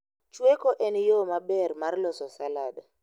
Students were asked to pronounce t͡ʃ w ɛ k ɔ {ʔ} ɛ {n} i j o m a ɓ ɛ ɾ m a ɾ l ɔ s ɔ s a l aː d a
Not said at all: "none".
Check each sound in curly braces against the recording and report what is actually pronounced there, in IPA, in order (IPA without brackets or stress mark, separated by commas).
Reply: ʔ, n